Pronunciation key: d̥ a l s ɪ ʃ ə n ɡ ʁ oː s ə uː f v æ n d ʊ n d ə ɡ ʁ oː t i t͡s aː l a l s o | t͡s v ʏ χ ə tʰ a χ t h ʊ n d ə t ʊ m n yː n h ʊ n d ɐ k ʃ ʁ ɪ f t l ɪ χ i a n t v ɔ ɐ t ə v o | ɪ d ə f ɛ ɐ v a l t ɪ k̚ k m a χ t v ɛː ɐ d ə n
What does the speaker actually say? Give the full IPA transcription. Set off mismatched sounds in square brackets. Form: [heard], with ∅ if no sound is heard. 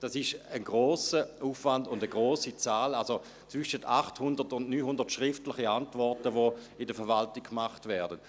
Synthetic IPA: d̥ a [∅] s ɪ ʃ ə n ɡ ʁ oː s ə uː f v [a] n d ʊ n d ə ɡ ʁ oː [s] i t͡s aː l a l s o | t͡s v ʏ [ʃ] ə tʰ a χ t h ʊ n d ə t ʊ [n] n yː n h ʊ n d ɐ [t] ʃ ʁ ɪ f t l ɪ χ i a n t v ɔ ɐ t ə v o | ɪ d ə f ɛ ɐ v a l t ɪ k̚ k m a χ t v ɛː ɐ d ə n